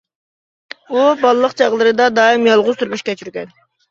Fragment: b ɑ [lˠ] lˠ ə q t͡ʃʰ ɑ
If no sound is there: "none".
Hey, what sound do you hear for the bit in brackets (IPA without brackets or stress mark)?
lˠ